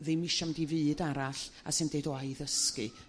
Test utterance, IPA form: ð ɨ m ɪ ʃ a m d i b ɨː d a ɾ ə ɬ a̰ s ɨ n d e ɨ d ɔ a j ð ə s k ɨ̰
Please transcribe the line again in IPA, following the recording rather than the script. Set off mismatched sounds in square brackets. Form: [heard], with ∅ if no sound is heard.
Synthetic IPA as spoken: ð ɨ m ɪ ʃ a m d i [v] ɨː d a ɾ [a] ɬ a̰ s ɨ n d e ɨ d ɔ a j ð ə s k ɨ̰